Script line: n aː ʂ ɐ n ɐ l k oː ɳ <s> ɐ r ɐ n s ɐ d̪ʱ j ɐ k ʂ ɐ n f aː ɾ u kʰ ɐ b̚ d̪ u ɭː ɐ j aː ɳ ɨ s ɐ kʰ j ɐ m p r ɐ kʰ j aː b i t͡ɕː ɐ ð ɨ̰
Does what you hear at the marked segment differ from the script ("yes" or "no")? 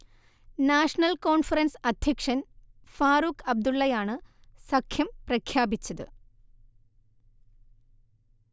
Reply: yes